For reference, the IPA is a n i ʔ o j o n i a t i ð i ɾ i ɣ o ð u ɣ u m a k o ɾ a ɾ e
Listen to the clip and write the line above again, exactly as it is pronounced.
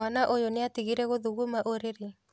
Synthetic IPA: a n a ʔ o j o n e a t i ɣ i ɾ ɛ ɣ o ð u ɣ u m a ʔ o ɾ e ɾ e